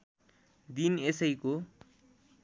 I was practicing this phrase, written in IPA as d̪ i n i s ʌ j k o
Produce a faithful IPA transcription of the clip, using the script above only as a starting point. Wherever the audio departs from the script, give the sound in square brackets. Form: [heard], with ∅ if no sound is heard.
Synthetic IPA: d̪ i n [e] s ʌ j k o